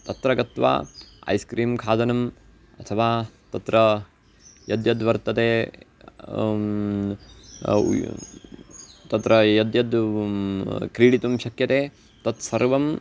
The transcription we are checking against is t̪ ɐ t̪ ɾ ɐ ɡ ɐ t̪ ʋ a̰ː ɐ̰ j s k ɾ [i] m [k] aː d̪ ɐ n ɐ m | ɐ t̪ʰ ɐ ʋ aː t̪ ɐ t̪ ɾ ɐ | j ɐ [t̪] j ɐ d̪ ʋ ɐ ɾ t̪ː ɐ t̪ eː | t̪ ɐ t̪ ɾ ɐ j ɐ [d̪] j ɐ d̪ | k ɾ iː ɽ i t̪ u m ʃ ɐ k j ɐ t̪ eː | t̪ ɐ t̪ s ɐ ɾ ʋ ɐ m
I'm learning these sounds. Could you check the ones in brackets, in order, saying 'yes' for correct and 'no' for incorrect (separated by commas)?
no, no, no, yes